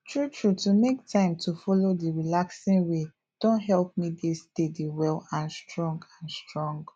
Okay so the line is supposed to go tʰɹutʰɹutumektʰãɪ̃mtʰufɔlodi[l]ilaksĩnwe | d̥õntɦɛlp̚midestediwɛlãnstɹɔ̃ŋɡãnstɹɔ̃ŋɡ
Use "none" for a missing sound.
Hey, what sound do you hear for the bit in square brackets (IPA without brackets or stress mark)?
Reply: ɹ